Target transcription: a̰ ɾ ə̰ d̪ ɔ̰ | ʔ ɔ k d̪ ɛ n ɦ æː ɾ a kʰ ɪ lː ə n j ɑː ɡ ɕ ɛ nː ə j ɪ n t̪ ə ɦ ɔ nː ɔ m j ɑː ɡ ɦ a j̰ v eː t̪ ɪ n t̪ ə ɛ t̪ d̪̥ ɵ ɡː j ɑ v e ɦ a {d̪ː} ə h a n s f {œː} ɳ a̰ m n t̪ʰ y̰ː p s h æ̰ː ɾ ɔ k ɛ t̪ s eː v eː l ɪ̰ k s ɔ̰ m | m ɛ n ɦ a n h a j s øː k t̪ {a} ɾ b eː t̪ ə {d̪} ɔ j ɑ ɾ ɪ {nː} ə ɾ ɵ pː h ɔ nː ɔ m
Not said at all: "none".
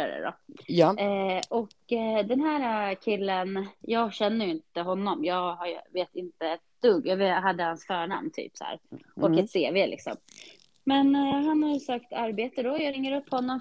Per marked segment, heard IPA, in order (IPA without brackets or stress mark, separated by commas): d̪ː, œː, a, d̪, ŋː